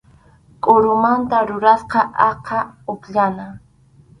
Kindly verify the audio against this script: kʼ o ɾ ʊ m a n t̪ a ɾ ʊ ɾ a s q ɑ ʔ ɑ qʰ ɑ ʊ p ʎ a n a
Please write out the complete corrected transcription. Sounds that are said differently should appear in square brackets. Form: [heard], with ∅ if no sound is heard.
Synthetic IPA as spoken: kʼ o ɾ ʊ m a n t̪ a ɾ ʊ ɾ a s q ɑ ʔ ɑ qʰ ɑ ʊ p ʎ a n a